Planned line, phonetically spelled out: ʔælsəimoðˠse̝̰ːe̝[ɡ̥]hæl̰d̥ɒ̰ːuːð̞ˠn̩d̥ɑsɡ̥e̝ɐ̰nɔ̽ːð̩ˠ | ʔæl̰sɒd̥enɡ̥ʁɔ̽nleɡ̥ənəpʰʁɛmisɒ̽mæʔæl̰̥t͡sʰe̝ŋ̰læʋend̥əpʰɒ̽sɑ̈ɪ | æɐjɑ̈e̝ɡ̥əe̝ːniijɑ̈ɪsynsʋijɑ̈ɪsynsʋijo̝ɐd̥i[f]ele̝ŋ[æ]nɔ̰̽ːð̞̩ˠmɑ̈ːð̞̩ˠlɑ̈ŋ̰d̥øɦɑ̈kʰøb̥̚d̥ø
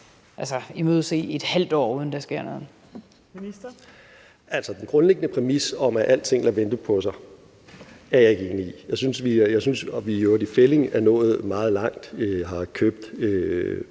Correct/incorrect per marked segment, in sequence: incorrect: d̥, correct, correct

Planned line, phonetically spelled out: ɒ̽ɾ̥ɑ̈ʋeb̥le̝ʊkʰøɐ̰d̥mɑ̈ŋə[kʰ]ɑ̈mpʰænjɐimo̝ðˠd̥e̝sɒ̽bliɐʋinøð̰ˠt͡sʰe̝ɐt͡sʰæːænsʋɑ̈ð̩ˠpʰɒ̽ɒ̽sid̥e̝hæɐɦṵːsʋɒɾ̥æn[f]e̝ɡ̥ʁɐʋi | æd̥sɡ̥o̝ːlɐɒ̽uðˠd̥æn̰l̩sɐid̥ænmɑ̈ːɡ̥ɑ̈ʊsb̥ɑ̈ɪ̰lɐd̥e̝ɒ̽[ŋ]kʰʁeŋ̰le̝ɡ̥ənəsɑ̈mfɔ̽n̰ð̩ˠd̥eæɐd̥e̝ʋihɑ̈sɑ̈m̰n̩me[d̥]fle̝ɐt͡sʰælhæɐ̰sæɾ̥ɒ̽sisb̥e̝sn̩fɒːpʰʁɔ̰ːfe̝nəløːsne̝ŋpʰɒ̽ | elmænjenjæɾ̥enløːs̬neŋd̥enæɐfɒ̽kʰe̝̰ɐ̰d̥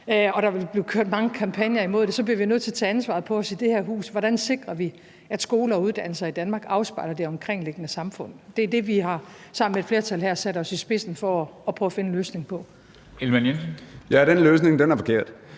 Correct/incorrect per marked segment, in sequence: correct, incorrect: s, incorrect: m, correct

